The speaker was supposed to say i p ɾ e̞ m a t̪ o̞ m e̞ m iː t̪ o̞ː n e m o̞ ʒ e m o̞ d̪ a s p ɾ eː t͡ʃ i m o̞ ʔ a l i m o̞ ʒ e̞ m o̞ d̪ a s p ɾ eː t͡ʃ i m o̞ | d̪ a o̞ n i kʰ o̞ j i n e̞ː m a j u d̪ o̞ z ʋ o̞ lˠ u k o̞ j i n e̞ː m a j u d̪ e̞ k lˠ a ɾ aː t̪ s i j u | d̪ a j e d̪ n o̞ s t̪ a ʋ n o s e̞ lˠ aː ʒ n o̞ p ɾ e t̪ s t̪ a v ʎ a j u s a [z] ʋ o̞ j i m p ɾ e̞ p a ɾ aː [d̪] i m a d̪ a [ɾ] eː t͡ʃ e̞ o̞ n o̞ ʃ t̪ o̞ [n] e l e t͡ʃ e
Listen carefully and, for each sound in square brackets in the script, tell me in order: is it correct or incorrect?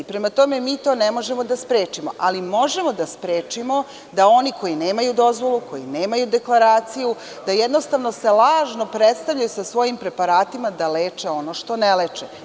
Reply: incorrect: s, incorrect: t̪, incorrect: l, correct

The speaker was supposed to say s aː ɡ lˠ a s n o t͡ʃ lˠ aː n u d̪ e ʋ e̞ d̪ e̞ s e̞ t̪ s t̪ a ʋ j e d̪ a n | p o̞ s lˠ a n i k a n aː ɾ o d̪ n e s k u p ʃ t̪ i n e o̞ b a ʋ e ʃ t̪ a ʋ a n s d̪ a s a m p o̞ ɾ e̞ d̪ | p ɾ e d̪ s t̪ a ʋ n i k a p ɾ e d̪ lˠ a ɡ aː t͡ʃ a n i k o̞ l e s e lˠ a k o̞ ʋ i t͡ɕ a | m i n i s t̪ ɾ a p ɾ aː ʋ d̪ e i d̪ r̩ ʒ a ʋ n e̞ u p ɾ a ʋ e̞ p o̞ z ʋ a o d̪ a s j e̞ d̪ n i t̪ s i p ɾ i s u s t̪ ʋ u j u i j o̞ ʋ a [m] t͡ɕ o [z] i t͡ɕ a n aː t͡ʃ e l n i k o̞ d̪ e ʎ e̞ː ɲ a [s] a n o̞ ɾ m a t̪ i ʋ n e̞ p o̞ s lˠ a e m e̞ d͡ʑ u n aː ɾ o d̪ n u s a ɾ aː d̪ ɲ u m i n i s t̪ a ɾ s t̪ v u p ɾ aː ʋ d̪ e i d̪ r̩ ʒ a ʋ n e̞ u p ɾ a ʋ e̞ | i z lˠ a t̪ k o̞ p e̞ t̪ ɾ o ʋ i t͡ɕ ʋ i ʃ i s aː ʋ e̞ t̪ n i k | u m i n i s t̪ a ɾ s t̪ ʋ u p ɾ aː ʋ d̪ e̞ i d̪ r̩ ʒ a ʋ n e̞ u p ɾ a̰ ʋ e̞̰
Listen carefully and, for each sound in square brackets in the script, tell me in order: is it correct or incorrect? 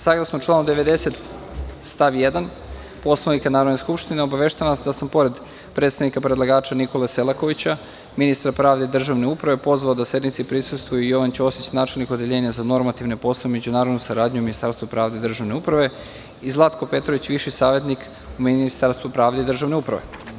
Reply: incorrect: n, incorrect: s, incorrect: z

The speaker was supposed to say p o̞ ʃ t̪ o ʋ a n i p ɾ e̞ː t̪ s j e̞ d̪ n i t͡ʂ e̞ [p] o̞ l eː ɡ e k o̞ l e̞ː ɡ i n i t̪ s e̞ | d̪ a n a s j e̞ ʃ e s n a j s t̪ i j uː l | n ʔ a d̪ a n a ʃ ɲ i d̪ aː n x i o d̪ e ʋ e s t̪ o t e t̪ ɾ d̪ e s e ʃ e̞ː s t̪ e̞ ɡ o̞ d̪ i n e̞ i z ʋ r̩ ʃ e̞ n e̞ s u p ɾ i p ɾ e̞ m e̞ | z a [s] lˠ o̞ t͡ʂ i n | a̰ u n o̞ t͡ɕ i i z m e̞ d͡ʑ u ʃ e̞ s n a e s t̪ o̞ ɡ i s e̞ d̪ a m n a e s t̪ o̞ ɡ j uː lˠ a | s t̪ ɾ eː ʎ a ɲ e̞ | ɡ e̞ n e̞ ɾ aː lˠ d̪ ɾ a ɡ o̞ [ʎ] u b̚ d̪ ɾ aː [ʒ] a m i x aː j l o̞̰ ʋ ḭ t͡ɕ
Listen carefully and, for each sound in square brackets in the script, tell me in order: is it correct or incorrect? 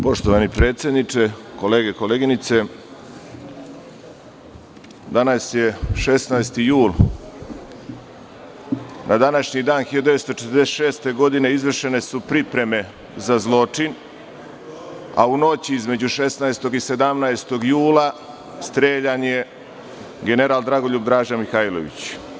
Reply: incorrect: k, incorrect: z, correct, correct

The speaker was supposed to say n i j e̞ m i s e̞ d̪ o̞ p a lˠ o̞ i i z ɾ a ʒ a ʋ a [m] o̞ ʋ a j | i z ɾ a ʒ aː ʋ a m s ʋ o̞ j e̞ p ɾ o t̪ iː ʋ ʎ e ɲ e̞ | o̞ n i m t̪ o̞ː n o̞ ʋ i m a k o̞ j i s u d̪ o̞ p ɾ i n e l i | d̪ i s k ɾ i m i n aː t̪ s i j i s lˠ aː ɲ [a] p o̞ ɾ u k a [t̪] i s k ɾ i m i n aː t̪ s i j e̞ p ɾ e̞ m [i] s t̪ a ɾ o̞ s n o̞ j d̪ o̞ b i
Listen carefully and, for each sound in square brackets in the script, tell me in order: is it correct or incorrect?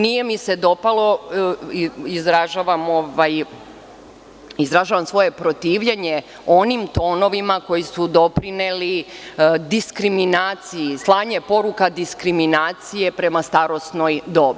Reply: correct, incorrect: e, incorrect: d̪, incorrect: a

